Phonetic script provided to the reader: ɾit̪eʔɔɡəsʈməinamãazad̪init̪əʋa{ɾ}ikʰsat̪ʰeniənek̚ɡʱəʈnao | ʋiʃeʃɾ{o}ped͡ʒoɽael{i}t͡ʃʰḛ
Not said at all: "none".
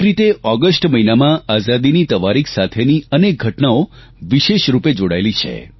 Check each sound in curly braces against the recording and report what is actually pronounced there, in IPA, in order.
ɾ, u, i

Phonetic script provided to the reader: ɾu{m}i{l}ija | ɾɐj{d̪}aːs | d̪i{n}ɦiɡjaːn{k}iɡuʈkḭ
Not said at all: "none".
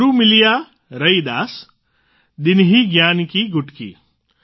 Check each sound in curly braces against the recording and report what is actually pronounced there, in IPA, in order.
m, l, d̪, n, k

